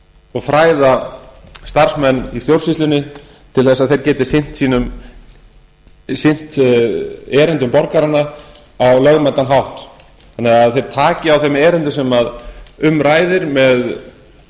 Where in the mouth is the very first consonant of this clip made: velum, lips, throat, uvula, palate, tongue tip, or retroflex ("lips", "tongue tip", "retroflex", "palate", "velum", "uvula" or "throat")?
velum